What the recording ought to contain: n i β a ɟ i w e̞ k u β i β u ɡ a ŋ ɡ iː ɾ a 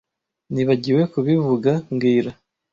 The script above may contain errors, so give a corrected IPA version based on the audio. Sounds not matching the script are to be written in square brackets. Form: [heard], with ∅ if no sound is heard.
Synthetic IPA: n i β a ɟ i w e̞ k u β i [v] u ɡ a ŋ ɡ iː ɾ a